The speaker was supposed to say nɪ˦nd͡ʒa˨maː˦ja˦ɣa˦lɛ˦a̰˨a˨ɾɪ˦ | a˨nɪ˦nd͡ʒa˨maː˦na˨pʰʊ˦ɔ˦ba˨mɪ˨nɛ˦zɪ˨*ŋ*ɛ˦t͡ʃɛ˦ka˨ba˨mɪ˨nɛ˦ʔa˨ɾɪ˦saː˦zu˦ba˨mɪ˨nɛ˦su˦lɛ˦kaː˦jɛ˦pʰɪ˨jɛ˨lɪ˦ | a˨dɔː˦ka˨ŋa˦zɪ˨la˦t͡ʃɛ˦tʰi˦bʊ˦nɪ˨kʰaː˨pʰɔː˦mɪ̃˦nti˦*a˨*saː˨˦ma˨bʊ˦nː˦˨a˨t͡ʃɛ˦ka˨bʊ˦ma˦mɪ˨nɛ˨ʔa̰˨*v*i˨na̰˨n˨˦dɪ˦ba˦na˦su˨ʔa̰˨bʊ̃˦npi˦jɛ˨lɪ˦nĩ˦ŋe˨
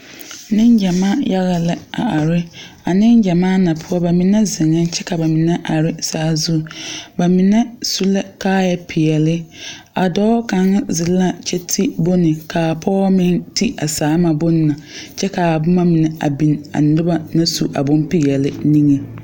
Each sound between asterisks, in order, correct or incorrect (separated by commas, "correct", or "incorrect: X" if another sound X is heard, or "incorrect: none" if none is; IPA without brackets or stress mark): correct, correct, incorrect: b